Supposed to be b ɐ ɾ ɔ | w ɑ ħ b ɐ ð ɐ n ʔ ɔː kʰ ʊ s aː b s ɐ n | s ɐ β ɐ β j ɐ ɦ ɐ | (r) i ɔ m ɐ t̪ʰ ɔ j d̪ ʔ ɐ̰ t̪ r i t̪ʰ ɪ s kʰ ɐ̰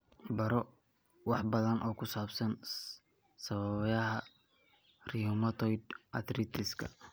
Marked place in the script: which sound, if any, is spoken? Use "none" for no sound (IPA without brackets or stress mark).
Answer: r